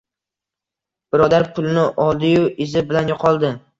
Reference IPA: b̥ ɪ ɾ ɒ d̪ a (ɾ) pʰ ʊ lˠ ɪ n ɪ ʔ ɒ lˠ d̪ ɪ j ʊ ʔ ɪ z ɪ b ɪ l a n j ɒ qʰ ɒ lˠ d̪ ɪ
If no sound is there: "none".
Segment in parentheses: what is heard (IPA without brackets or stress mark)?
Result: ɾ